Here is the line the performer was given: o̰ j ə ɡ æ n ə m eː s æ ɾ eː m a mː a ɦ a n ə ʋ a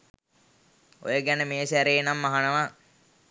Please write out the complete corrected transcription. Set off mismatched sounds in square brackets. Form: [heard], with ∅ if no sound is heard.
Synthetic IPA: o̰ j ə ɡ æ n ə m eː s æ ɾ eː [n] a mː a ɦ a n ə ʋ a